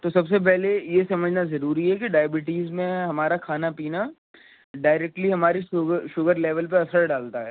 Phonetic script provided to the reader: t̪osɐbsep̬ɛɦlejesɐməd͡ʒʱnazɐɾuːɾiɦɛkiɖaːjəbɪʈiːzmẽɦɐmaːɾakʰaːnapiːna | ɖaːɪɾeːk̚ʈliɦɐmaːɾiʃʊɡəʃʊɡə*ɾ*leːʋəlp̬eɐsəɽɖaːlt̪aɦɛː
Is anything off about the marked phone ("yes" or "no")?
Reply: no